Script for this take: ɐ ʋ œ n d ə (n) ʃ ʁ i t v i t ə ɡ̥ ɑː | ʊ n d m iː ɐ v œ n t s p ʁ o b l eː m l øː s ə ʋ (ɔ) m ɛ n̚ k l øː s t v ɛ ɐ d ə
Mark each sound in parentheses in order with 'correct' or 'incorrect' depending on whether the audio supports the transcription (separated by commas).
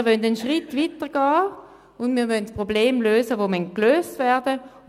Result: correct, incorrect